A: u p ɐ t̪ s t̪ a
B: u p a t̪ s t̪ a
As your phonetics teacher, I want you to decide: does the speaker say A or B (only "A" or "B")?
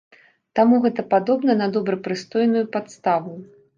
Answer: B